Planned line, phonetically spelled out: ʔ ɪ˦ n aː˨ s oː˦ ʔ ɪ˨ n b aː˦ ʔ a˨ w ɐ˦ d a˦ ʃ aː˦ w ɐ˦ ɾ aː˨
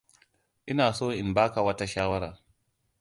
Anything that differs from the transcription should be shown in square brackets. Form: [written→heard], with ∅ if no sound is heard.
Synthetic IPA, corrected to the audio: ʔ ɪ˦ n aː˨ s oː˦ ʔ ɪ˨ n b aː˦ [ʔ→k] a˨ w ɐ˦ [d→t] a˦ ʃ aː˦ w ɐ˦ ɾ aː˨